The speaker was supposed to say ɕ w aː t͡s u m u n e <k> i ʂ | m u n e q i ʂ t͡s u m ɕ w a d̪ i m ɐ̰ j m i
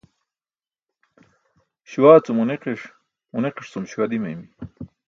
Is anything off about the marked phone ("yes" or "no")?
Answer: yes